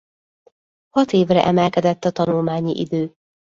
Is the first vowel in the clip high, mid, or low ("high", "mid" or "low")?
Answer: low